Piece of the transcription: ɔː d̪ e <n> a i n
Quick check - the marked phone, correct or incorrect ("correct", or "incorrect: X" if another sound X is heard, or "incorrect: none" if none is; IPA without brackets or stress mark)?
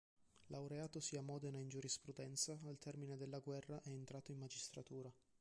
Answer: correct